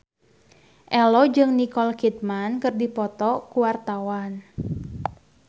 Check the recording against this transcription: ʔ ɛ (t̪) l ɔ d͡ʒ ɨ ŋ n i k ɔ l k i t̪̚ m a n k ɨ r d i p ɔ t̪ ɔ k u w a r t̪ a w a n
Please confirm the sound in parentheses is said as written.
no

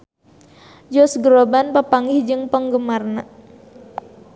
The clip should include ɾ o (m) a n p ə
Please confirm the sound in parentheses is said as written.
no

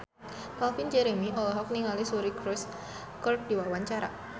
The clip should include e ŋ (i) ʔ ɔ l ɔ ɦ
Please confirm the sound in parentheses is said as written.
yes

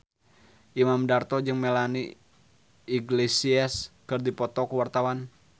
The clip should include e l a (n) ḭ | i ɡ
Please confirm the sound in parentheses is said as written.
yes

